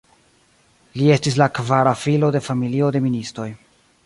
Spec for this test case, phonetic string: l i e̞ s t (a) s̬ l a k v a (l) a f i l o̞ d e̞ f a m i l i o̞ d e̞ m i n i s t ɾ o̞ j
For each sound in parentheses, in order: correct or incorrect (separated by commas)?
incorrect, incorrect